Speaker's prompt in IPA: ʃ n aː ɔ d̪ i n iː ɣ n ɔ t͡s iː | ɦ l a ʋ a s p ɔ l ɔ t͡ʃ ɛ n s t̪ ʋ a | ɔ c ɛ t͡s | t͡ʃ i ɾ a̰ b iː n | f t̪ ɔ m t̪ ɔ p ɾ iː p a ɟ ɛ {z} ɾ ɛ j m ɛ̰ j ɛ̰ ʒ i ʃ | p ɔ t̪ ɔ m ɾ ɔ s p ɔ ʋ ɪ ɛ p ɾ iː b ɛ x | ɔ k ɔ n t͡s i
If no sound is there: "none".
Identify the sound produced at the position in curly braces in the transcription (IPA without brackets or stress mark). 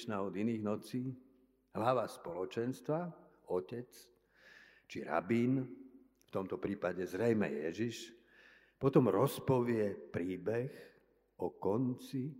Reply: z